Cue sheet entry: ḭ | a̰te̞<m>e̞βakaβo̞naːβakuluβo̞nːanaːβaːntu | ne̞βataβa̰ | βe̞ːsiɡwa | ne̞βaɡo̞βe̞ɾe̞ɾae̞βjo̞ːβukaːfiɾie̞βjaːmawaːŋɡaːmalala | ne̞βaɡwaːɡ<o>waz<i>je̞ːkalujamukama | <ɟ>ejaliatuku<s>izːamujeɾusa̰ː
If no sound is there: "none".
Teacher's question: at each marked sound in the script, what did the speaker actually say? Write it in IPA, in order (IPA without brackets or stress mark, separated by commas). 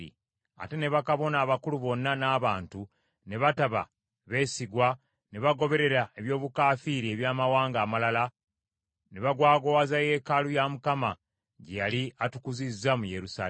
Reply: n, o, a, ɟ, z